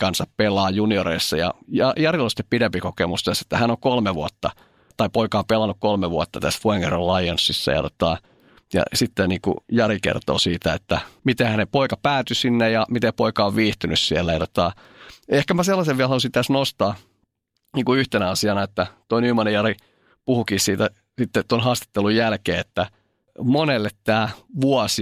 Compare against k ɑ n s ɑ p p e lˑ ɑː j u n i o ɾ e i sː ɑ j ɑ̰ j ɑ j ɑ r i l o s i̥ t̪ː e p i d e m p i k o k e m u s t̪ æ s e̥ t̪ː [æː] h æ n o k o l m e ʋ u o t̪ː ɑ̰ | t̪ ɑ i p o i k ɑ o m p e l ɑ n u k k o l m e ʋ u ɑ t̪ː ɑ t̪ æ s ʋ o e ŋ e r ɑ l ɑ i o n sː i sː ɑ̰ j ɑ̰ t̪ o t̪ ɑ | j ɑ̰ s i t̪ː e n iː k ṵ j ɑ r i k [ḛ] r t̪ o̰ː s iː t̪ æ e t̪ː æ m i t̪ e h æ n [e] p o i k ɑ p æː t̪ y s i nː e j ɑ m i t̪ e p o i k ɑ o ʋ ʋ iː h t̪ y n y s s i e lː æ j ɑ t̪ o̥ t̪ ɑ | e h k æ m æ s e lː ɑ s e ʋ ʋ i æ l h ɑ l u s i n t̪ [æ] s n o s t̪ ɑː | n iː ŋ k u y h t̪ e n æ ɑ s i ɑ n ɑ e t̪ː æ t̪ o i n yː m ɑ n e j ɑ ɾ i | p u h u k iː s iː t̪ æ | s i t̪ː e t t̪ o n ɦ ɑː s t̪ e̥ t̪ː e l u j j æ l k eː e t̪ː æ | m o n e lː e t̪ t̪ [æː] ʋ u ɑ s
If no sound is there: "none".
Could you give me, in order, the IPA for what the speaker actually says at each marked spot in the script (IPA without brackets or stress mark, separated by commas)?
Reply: æ, ḛ, e, æ, æː